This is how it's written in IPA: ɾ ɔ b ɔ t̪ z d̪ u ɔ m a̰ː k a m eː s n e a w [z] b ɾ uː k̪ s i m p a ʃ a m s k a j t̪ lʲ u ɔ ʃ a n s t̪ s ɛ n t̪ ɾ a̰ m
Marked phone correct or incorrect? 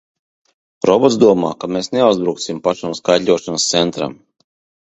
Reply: correct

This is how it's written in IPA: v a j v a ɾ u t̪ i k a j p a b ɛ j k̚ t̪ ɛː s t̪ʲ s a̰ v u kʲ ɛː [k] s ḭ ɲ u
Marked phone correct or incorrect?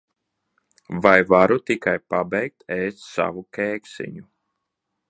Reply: correct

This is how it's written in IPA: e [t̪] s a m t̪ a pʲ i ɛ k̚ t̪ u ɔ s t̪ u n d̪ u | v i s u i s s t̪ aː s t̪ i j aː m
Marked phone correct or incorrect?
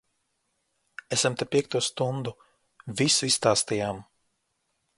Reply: incorrect: none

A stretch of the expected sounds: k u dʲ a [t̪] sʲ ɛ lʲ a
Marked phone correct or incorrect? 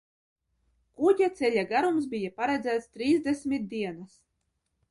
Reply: correct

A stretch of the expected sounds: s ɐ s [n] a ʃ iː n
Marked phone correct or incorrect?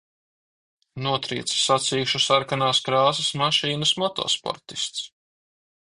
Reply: incorrect: m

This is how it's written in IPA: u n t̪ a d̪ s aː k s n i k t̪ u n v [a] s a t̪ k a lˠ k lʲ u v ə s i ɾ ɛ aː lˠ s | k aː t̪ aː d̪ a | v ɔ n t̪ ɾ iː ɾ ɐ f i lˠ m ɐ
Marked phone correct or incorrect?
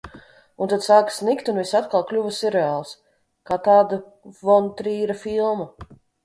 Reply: incorrect: i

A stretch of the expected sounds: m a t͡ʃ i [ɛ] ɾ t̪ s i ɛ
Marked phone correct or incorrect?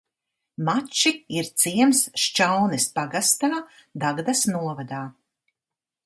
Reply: incorrect: i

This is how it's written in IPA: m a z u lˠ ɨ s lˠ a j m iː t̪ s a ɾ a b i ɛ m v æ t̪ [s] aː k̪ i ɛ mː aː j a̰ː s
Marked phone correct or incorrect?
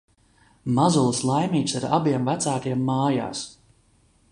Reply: correct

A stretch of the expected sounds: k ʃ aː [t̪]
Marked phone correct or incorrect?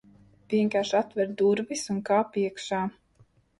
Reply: incorrect: none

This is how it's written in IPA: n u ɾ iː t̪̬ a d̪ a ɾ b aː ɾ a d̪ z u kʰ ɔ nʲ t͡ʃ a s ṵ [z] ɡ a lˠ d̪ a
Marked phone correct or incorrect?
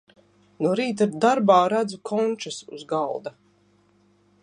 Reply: correct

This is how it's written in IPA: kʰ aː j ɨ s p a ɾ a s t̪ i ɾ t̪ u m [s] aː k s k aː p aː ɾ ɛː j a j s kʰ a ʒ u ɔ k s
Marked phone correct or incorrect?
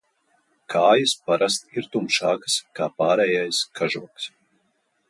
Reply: incorrect: ʃ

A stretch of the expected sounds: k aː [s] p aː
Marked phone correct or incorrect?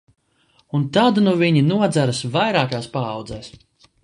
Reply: correct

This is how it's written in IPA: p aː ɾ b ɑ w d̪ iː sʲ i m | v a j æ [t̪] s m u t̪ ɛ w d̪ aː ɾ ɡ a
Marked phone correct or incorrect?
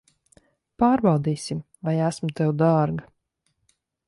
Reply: incorrect: none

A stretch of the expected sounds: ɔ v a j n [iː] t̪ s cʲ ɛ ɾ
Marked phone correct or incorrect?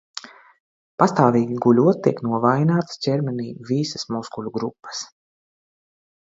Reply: incorrect: aː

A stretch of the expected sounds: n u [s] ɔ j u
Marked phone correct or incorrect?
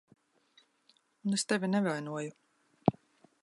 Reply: incorrect: none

